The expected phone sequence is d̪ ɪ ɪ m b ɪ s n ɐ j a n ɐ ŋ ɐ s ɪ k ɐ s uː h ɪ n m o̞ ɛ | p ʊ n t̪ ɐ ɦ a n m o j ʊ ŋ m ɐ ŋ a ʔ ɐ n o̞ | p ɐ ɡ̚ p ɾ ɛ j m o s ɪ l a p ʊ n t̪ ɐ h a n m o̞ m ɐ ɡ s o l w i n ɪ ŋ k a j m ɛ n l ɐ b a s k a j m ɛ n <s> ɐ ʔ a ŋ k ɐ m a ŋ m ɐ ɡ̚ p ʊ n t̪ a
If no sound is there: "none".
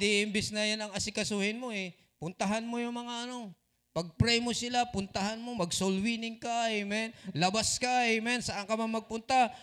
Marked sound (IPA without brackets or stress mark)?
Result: s